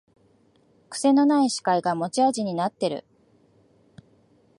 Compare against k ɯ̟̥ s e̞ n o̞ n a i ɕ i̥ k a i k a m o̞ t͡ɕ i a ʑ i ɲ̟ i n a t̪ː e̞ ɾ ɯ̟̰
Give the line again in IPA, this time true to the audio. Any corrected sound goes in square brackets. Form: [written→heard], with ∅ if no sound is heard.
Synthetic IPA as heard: k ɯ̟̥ s e̞ n o̞ n a i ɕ i̥ k a i [k→ɡ] a m o̞ t͡ɕ i a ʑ i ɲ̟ i n a t̪ː e̞ ɾ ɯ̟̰